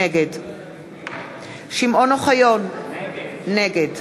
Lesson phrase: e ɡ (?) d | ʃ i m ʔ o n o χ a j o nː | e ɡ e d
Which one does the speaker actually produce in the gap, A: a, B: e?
B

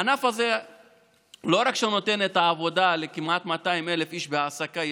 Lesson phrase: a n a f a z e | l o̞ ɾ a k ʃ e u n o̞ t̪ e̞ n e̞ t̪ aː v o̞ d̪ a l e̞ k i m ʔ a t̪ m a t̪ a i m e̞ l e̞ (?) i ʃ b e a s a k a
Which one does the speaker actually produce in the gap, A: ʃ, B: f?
B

